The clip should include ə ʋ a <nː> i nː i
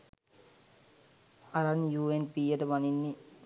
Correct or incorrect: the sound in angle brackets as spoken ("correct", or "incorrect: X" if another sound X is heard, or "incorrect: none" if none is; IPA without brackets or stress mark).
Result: incorrect: n